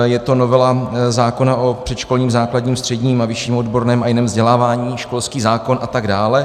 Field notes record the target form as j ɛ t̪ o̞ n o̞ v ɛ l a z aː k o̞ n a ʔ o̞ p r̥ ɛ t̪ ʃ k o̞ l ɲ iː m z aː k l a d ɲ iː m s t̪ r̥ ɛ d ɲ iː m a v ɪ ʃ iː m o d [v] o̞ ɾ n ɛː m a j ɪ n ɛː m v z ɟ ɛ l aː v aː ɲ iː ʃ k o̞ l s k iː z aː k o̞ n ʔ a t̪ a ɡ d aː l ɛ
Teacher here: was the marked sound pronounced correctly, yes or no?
no